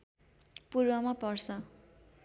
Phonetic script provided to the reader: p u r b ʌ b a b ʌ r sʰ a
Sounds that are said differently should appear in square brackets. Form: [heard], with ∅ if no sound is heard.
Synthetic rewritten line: p u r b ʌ [m] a [p] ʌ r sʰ [ʌ]